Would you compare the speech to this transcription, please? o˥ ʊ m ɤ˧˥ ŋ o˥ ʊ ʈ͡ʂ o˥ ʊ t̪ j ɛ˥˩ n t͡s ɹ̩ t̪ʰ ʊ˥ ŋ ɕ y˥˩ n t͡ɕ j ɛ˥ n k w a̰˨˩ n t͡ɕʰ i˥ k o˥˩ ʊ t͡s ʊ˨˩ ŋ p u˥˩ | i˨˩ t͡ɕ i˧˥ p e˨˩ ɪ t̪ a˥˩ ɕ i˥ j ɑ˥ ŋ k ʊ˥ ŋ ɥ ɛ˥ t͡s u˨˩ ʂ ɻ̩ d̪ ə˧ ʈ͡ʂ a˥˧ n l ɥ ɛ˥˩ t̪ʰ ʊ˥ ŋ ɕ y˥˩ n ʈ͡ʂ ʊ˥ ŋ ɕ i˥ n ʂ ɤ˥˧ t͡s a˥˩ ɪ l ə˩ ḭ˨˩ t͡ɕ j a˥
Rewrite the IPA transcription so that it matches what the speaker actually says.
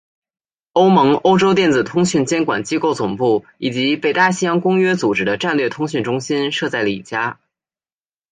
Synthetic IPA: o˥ ʊ m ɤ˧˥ ŋ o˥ ʊ ʈ͡ʂ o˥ ʊ t̪ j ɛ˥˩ n t͡s ɹ̩ t̪ʰ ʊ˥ ŋ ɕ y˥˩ n t͡ɕ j ɛ˥ n k w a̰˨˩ n t͡ɕ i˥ k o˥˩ ʊ t͡s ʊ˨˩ ŋ p u˥˩ | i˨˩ t͡ɕ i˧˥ p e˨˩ ɪ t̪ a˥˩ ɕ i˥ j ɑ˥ ŋ k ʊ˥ ŋ ɥ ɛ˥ t͡s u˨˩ ʈ͡ʂ ɻ̩ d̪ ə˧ ʈ͡ʂ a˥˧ n l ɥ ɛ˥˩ t̪ʰ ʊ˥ ŋ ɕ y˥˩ n ʈ͡ʂ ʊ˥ ŋ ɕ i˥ n ʂ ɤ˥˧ t͡s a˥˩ ɪ l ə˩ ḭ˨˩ t͡ɕ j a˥